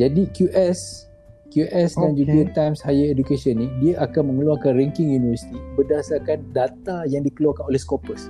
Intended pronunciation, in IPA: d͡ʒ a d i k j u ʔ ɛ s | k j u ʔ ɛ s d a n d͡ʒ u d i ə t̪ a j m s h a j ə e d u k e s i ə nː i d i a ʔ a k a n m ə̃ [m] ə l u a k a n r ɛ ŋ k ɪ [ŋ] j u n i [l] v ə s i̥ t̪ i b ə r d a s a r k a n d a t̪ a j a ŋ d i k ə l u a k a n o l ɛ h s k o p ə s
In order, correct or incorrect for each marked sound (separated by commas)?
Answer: incorrect, correct, incorrect